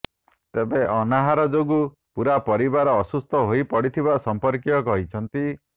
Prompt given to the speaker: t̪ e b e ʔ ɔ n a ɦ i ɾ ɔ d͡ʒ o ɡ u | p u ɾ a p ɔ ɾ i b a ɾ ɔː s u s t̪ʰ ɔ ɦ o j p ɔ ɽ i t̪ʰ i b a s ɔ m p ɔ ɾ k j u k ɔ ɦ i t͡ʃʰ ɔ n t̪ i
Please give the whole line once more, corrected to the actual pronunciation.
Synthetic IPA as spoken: t̪ e b e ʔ ɔ n a ɦ a ɾ ɔ d͡ʒ o ɡ u | p u ɾ a p ɔ ɾ i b a ɾ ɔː s u s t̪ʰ ɔ ɦ o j p ɔ ɽ i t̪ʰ i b a s ɔ m p ɔ ɾ k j ɔ k ɔ ɦ i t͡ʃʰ ɔ n t̪ i